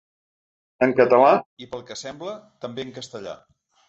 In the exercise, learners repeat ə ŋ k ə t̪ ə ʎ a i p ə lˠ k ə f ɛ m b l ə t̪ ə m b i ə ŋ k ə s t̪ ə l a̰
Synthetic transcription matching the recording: ə ŋ k ə t̪ ə l a i p ə lˠ k ə s ɛ m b l ə t̪ ə m b e ə ŋ k ə s t̪ ə ʎ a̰

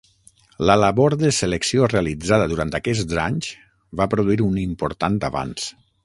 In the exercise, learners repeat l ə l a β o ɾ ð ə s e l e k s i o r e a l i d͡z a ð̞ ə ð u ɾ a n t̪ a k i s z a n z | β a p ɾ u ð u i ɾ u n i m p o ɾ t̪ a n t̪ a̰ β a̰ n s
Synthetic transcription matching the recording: l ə l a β o ɾ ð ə s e l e k s i o r e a l i d͡z a ð̞ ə ð u ɾ a n t̪ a k ɛ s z a ɲ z | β a p ɾ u ð u i ɾ u n i m p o ɾ t̪ a n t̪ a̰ β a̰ n s

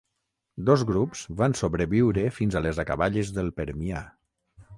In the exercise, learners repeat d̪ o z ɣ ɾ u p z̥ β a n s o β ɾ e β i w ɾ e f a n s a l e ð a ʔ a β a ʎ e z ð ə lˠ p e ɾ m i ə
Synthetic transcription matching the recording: d̪ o z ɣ ɾ u p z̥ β a n s o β ɾ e β i w ɾ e f i n z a l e z a k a β a ʎ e z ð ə lˠ p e ɾ m i a

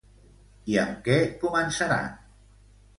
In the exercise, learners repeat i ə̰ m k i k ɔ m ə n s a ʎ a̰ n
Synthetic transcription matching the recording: i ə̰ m k ɛ k u m ə n s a ɾ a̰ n

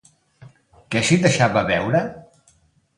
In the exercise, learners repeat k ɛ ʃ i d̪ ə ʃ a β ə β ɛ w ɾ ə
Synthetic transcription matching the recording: k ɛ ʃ i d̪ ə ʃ a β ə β ɛ w ɾ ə

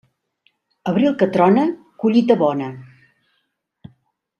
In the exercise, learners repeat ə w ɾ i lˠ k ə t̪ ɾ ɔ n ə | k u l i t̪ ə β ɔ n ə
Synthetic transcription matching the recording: ə β ɾ i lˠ k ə t̪ ɾ ɔ n ə | k u ʎ i t̪ ə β ɔ n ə

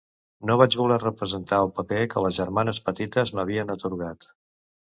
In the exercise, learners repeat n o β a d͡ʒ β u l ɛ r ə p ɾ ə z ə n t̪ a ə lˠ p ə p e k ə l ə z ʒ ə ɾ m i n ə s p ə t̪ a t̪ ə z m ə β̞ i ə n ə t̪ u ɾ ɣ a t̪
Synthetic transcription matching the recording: n o β a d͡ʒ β u l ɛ r ə p ɾ ə z ə n t̪ a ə lˠ p ə p e k ə l ə z ʒ ə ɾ m a n ə s p ə t̪ i t̪ ə z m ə β̞ i ə n ə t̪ u ɾ ɣ a t̪

